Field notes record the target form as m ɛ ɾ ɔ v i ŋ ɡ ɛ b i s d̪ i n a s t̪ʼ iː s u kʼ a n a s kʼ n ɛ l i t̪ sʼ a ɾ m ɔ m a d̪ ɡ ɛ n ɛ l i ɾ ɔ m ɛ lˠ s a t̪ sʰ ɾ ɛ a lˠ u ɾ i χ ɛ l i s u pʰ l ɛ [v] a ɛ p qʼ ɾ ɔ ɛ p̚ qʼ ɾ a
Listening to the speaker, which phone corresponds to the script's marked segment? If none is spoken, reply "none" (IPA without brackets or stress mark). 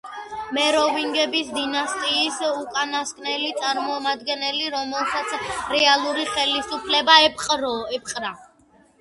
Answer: b